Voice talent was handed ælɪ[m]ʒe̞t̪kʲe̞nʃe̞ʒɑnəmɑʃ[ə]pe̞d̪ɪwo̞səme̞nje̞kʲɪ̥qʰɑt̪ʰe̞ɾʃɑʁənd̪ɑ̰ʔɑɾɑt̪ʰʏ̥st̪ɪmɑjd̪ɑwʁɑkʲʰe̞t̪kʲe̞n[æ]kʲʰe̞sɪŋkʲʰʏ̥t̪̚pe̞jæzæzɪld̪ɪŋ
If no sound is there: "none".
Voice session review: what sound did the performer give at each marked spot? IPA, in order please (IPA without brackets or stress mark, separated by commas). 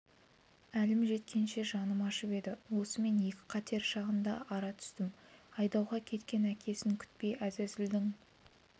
m, ə, æ